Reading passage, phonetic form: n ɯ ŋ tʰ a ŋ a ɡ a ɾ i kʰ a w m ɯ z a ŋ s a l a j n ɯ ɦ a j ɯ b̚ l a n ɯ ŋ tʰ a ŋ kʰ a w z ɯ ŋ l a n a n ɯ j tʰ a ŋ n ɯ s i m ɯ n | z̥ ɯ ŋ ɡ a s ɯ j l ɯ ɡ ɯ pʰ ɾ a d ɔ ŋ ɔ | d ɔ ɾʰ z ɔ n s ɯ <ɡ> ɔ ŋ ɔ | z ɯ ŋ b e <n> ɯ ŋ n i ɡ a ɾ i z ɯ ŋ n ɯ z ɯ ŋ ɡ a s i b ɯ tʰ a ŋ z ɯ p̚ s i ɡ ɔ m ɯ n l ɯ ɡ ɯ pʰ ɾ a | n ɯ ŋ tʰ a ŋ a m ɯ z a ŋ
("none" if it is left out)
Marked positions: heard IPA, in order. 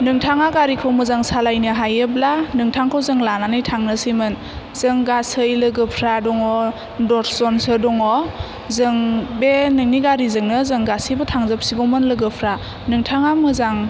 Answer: d, n

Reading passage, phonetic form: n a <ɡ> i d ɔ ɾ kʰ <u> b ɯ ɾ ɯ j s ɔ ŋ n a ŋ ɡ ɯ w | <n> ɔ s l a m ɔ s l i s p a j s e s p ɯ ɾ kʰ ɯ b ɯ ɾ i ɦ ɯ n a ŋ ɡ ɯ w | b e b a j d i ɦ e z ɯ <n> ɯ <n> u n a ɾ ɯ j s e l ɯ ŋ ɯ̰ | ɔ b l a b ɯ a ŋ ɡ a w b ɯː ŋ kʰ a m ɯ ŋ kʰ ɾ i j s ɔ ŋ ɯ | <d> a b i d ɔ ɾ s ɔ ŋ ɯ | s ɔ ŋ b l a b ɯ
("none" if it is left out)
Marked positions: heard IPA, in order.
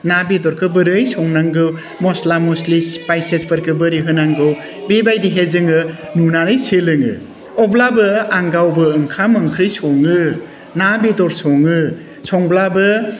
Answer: b, ɯ, m, ŋ, n, n

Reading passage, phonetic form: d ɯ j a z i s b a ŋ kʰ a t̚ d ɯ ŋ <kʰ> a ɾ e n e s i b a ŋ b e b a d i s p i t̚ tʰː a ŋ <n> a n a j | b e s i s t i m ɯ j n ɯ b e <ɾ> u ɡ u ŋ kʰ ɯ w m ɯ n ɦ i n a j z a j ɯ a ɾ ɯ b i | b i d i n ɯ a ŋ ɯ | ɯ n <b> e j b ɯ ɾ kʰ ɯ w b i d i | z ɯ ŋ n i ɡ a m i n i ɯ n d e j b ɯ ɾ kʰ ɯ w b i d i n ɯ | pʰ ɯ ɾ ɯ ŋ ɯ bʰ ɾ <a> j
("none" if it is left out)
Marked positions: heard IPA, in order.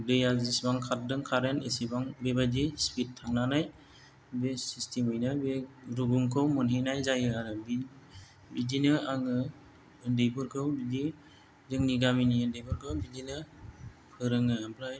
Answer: kʰ, n, ɾ, d, a

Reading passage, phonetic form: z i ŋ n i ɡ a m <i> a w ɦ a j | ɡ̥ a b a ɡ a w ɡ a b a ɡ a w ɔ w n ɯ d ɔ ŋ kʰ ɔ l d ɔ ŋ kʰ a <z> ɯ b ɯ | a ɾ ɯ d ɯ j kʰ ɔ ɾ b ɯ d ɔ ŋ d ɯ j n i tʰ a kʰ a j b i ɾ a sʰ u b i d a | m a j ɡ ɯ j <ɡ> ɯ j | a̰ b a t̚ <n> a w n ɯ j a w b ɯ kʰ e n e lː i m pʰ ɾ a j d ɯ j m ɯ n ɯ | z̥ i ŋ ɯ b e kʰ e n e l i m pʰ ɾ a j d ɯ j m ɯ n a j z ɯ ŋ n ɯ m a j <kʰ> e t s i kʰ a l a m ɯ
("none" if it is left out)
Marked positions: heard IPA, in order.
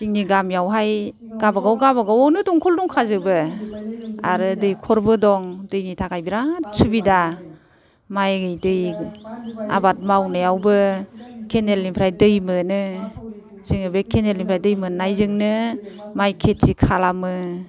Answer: j, z, d, m, kʰ

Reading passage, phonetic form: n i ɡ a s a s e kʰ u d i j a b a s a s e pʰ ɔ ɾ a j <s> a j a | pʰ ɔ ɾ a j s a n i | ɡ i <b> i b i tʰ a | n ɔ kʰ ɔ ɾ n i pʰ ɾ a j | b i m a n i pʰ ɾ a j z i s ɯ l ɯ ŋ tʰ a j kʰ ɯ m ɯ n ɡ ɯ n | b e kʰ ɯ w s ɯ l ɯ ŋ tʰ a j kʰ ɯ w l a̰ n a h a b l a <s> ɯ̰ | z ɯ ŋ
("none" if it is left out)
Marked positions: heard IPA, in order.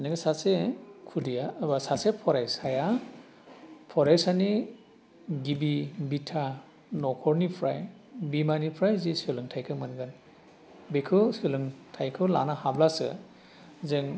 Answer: s, b, s

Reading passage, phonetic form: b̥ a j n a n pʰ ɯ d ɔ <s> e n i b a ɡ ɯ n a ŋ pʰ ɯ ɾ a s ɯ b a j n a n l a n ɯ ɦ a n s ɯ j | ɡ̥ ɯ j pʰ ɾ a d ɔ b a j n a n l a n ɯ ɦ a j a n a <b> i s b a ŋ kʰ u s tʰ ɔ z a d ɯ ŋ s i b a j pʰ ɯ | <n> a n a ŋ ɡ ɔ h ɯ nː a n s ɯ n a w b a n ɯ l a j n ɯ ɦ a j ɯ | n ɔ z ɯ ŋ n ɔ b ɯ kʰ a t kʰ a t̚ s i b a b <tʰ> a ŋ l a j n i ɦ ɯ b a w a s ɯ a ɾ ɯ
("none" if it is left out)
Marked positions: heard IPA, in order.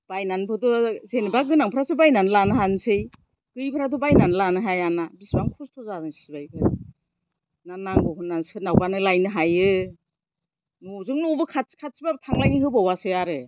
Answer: z, b, n, tʰ

